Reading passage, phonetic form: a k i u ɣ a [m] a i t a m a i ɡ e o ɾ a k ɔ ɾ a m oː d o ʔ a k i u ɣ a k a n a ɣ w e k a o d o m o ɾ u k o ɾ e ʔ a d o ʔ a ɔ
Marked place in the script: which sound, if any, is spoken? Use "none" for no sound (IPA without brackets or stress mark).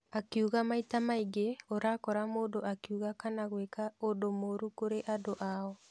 m